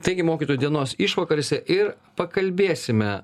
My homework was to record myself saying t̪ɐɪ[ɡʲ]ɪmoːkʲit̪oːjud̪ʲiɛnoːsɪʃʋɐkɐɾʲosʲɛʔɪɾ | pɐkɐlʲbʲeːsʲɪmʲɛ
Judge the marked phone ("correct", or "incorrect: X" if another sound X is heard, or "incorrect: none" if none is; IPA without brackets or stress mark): correct